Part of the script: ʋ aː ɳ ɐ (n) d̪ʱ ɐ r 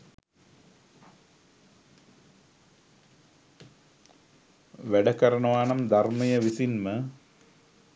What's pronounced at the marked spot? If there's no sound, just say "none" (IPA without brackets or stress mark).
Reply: m